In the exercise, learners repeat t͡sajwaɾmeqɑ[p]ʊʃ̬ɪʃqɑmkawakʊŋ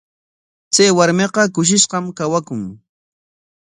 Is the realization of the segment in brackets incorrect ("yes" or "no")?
yes